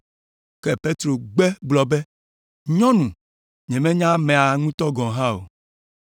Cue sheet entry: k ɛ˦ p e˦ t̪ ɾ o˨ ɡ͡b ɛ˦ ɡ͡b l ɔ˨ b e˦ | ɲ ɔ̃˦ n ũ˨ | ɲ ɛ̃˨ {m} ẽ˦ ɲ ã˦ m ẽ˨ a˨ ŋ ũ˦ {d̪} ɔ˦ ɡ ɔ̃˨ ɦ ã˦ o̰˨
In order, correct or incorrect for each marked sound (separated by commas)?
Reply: correct, incorrect